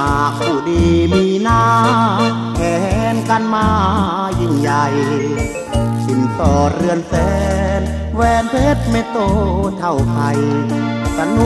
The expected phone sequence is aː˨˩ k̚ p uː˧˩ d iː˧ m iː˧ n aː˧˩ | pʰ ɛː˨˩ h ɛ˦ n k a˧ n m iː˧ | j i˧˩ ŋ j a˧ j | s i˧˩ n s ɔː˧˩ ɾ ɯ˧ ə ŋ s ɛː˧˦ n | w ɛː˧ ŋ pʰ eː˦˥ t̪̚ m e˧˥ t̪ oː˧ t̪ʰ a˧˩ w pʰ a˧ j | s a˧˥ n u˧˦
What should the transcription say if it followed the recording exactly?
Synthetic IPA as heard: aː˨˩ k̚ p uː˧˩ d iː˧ m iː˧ n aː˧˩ | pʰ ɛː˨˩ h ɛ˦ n k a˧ n m aː˧ | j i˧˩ ŋ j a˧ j | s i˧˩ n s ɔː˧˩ ɾ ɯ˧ ə n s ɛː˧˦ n | w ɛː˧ n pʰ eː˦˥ t̪̚ m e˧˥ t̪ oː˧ t̪ʰ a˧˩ w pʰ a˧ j | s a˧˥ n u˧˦